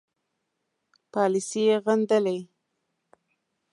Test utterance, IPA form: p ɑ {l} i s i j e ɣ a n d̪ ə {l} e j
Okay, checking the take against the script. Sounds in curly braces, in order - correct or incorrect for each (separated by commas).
correct, correct